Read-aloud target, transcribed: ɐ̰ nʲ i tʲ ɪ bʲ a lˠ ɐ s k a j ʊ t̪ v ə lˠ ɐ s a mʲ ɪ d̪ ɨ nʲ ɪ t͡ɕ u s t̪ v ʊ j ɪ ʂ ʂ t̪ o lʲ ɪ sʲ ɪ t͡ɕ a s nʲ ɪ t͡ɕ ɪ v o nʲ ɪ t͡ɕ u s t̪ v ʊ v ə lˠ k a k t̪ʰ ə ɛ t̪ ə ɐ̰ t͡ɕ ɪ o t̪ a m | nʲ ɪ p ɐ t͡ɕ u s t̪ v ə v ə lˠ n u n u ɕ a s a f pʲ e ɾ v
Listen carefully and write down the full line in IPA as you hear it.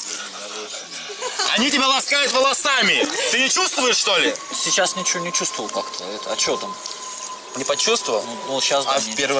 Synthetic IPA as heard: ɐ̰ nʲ i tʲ ɪ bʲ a lˠ ɐ s k a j ʊ t̪ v ə lˠ ɐ s a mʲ ɪ t̪ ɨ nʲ ɪ t͡ɕ u s t̪ v ʊ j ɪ ʂ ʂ t̪ o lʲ ɪ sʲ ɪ t͡ɕ a s nʲ ɪ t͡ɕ ɪ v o nʲ ɪ t͡ɕ u s t̪ v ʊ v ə lˠ k a k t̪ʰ ə ɛ t̪ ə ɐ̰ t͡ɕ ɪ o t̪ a m | nʲ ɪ p ɐ t͡ɕ u s t̪ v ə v ə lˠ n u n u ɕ a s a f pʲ e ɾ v

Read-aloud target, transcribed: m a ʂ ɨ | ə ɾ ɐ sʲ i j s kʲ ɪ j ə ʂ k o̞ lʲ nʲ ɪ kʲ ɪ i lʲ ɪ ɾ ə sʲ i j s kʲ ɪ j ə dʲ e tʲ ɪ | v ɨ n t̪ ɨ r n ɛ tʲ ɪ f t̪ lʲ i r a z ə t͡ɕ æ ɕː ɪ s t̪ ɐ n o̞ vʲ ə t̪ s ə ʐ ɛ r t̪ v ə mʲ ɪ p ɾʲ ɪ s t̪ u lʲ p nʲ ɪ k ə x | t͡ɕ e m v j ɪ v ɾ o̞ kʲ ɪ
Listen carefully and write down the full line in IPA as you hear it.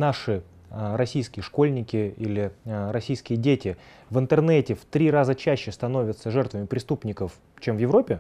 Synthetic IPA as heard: n a ʂ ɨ | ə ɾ ɐ sʲ i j s kʲ ɪ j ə ʂ k o̞ lʲ nʲ ɪ kʲ ɪ i lʲ ɪ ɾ ɐ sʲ i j s kʲ ɪ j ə dʲ e tʲ ɪ | v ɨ n t̪ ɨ r n ɛ tʲ ɪ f t̪ ɾʲ i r a z ə t͡ɕ æ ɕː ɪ s t̪ ɐ n o̞ vʲ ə t̪ s ə ʐ ɛ r t̪ v ə mʲ ɪ p ɾʲ ɪ s t̪ u p nʲ ɪ k ə f | t͡ɕ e m v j ɪ v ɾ o̞ pʲ ɪ

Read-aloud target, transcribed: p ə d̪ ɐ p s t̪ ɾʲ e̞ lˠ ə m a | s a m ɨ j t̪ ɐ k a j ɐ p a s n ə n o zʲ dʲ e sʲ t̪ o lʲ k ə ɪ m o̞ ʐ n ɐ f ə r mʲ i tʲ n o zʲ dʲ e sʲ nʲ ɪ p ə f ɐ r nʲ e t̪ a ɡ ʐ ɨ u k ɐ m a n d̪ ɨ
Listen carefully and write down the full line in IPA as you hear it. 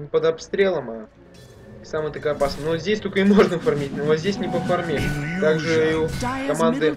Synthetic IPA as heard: p ə d̪ ɐ p s t̪ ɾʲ e̞ lˠ ə m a | s a m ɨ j t̪ ɐ k a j ɐ p a s n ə n o zʲ dʲ e sʲ t̪ o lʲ k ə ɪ m o̞ ʐ n ə f ɐ r mʲ i tʲ n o zʲ dʲ e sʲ nʲ ɪ p ə f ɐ r mʲ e t̪ a ɡ ʐ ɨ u k ɐ m a n d̪ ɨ

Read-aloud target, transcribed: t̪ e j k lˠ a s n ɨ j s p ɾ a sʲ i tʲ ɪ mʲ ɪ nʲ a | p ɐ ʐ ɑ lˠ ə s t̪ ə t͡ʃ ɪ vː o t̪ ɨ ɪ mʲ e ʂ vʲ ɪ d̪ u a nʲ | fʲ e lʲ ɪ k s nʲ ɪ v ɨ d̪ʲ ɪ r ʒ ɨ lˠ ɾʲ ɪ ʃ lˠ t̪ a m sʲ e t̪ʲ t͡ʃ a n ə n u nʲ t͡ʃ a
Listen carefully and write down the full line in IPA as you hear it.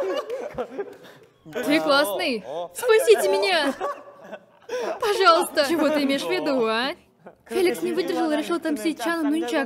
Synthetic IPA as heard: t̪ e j k lˠ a s n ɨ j s p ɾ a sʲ i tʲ ɪ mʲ ɪ nʲ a | p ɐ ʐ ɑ lˠ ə s t̪ ə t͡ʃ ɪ v o t̪ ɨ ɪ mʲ e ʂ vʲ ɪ d̪ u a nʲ | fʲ e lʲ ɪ k s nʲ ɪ v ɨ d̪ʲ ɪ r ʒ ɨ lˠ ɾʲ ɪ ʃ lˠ t̪ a m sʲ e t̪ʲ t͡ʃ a n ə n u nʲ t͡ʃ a

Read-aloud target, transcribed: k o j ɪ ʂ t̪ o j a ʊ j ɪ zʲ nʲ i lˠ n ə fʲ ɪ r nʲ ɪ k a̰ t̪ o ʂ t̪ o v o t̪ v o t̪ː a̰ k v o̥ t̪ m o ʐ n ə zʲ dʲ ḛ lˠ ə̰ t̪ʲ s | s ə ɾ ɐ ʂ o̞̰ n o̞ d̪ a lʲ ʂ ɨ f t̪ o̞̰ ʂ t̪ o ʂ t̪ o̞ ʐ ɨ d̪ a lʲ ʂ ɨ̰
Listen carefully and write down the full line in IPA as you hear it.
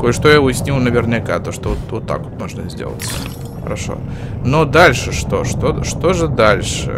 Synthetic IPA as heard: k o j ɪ ʂ t̪ o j a ʊ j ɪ sʲ nʲ i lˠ n ə vʲ ɪ r nʲ ɪ k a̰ t̪ o ʂ t̪ o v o t̪ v o t̪ː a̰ k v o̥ t̪ m o ʐ n ə zʲ dʲ ḛ lˠ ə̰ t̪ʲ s | x ə ɾ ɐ ʂ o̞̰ n o̞ d̪ a lʲ ʂ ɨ ʂ t̪ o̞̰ ʂ t̪ o ʂ t̪ o̞ ʐ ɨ d̪ a lʲ ʂ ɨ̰

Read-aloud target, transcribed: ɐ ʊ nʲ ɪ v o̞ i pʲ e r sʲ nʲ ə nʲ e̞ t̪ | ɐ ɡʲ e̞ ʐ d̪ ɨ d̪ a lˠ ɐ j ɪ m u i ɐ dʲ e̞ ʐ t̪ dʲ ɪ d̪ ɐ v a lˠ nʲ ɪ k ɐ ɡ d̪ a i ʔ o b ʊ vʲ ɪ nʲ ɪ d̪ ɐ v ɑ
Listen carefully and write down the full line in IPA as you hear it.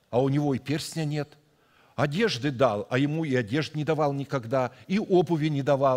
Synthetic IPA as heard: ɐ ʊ nʲ ɪ v o̞ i pʲ e r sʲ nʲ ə nʲ e̞ t̪ | ɐ dʲ e̞ ʐ d̪ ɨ d̪ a lˠ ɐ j ɪ m u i ɐ dʲ e̞ ʐ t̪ nʲ ɪ d̪ ɐ v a lˠ nʲ ɪ k ɐ ɡ d̪ a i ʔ o b ʊ vʲ ɪ nʲ ɪ d̪ ɐ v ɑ

